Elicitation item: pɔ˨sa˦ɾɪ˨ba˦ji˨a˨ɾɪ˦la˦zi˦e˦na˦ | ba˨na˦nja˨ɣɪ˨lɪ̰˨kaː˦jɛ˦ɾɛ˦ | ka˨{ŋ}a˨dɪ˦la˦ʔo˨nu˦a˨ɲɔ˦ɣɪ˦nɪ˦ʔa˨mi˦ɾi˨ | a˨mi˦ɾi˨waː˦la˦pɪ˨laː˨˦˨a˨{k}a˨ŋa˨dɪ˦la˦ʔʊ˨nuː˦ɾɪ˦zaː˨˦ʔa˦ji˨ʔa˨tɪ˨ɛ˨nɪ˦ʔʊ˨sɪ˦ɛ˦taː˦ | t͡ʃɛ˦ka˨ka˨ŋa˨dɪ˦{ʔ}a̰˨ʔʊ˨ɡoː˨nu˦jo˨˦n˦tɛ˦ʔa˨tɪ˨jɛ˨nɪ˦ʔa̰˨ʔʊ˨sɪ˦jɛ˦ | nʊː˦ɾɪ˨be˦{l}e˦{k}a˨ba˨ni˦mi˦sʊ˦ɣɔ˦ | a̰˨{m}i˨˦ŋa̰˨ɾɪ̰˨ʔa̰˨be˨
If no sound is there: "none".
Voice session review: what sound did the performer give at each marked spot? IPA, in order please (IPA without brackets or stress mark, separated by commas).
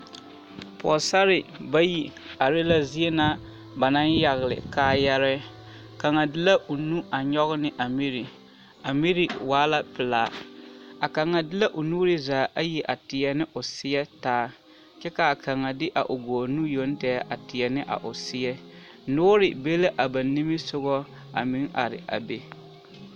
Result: ŋ, k, ʔ, l, ʔ, m